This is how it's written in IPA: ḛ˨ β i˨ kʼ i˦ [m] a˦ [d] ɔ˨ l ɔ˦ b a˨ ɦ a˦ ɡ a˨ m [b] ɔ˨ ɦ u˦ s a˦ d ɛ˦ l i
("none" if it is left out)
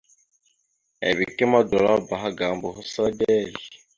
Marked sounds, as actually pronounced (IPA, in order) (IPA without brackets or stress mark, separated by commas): m, d, b